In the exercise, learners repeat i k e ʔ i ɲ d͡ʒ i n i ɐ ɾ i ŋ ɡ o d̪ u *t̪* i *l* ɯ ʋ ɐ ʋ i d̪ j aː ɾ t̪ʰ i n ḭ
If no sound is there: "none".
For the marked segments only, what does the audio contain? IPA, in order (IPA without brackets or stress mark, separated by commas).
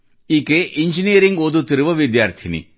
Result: t̪, ɾ